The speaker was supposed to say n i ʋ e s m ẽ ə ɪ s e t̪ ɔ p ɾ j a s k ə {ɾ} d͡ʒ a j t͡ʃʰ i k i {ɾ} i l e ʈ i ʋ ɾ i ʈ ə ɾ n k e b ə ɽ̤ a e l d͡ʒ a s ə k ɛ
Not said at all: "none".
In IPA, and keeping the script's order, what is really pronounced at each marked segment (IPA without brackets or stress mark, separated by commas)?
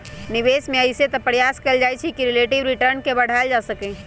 l, ɾ